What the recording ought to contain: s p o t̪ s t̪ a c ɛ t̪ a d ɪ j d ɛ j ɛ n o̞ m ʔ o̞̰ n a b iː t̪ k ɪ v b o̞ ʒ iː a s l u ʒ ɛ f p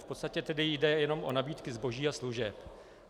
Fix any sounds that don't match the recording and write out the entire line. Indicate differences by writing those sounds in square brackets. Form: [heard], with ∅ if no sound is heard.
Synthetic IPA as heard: [f] p o t̪ s t̪ a c ɛ t̪ [ɛ] d ɪ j d ɛ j ɛ n o̞ m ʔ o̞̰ n a b iː t̪ k ɪ [z] b o̞ ʒ iː a s l u ʒ ɛ [∅] p

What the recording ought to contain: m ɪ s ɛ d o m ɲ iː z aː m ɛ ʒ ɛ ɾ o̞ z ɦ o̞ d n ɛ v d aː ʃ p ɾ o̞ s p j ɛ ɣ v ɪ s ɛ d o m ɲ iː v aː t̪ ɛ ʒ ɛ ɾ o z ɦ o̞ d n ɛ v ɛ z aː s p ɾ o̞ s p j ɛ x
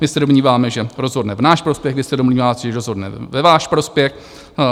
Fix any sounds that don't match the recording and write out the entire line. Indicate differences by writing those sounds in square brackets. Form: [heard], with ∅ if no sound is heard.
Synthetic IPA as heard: m ɪ s ɛ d o m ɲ iː [v] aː m ɛ ʒ ɛ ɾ o̞ z ɦ o̞ d n ɛ v [n] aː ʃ p ɾ o̞ s p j ɛ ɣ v ɪ s ɛ d o m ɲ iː v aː t̪ ɛ ʒ ɛ ɾ o z ɦ o̞ d n ɛ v ɛ [v] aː [ʃ] p ɾ o̞ s p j ɛ x

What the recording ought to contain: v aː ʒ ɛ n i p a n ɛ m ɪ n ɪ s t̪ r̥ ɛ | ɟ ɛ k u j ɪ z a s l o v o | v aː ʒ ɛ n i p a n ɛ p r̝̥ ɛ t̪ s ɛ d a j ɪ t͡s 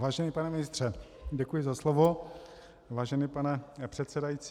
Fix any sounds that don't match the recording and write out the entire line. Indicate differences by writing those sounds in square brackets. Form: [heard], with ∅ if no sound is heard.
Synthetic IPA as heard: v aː ʒ ɛ n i p a n ɛ m ɪ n ɪ s t̪ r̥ ɛ | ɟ ɛ k u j ɪ z a s l o v o | v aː ʒ ɛ n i p a n ɛ p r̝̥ ɛ t̪ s ɛ d a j [i] t͡s

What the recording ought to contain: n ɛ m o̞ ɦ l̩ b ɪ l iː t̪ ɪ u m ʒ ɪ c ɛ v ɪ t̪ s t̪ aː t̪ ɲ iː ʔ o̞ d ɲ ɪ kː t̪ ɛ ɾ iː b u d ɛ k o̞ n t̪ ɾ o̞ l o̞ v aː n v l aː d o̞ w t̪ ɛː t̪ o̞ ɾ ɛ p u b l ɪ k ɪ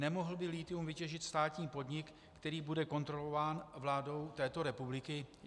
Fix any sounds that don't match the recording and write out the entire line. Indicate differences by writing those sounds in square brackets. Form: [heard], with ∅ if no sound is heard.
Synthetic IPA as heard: n ɛ m o̞ ɦ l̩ b ɪ l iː t̪ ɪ u m [v] ɪ c ɛ [ʒ] ɪ t̪ s t̪ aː t̪ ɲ iː [p] o̞ d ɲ ɪ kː t̪ ɛ ɾ iː b u d ɛ k o̞ n t̪ ɾ o̞ l o̞ v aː n v l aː d o̞ w t̪ ɛː t̪ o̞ ɾ ɛ p u b l ɪ k ɪ

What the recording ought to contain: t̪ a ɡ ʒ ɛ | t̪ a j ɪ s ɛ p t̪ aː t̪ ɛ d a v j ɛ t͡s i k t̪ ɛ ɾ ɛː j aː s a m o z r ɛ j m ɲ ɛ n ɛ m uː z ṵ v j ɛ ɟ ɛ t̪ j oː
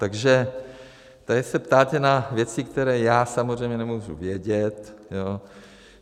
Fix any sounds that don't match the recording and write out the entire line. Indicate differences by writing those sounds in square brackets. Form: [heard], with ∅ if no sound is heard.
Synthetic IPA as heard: t̪ a ɡ ʒ ɛ | t̪ a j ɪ s ɛ p t̪ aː t̪ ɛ [n] a v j ɛ t͡s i k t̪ ɛ ɾ ɛː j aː s a m o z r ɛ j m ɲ ɛ n ɛ m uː [ʒ] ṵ v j ɛ ɟ ɛ t̪ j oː

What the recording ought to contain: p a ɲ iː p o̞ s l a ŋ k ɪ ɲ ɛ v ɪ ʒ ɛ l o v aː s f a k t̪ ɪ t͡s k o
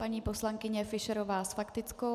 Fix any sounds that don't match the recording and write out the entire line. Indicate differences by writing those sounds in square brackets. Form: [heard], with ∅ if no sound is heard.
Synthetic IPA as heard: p a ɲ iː p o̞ s l a ŋ k ɪ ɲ ɛ [f] ɪ [ʃ] ɛ [ɾ] o v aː s f a k t̪ ɪ t͡s k o

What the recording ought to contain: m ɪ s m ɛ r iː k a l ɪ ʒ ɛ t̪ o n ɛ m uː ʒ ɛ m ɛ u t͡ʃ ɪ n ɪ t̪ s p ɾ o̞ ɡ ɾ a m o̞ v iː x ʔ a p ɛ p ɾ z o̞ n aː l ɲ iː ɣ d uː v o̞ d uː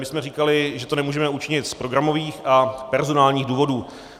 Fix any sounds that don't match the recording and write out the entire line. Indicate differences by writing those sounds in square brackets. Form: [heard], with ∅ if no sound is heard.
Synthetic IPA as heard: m ɪ s m ɛ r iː k a l ɪ ʒ ɛ t̪ o n ɛ m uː ʒ ɛ m ɛ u t͡ʃ ɪ [ɲ] ɪ t̪ s p ɾ o̞ ɡ ɾ a m o̞ v iː x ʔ a p ɛ [∅] ɾ z o̞ n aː l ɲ iː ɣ d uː v o̞ d uː

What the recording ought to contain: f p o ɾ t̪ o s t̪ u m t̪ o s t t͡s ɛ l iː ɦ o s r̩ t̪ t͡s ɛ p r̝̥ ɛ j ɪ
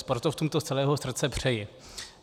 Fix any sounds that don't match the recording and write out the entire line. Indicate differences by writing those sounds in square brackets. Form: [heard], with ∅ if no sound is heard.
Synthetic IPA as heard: [s] p o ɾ t̪ o [f] t̪ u m t̪ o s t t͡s ɛ l [ɛː] ɦ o s r̩ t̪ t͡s ɛ p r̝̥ ɛ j ɪ

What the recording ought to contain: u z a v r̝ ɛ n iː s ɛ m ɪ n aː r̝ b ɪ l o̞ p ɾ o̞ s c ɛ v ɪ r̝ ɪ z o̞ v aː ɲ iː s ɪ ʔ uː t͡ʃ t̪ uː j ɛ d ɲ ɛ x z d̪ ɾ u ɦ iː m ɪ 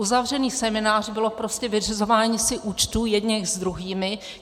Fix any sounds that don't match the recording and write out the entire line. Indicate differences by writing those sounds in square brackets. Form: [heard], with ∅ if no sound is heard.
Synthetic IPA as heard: u z a v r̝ ɛ n iː s ɛ m ɪ n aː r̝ b ɪ l o̞ p ɾ o̞ s c ɛ v ɪ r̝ ɪ z o̞ v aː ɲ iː s ɪ ʔ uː t͡ʃ t̪ uː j ɛ d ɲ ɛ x z d̪ ɾ u ɦ iː m ɪ

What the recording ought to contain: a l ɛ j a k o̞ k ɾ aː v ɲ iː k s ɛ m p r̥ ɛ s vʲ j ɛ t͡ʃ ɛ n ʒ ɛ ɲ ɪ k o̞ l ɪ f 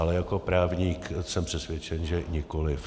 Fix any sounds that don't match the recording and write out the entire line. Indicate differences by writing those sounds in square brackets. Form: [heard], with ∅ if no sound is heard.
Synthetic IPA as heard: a l ɛ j a k o̞ [p] ɾ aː v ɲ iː k s ɛ m p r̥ ɛ s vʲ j ɛ t͡ʃ ɛ n ʒ ɛ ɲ ɪ k o̞ l ɪ f

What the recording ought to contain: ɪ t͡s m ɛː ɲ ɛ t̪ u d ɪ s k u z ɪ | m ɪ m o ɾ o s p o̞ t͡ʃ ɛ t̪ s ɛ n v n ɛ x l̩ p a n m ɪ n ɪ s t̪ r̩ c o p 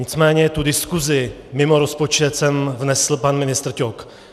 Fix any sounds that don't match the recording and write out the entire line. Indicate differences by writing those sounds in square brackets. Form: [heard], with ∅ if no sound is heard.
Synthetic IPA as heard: ɪ t͡s m ɛː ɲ ɛ t̪ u d ɪ s k u z ɪ | m ɪ m o ɾ o s p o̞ t͡ʃ ɛ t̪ s ɛ [m] v n ɛ [s] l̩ p a n m ɪ n ɪ s t̪ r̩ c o [k]

